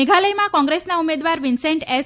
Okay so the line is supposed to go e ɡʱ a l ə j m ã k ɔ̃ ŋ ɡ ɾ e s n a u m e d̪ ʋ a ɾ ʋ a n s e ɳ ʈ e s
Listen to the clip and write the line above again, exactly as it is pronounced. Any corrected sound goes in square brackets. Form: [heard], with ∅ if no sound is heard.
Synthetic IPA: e ɡʱ a l ə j m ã k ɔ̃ ŋ ɡ ɾ e s n a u m e d̪ ʋ a ɾ ʋ [i] n s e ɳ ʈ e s